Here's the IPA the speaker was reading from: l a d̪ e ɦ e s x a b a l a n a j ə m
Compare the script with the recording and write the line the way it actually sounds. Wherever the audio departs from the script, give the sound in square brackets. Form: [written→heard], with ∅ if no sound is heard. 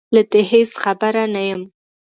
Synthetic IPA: l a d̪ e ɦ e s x a b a [l→ɾ] a n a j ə m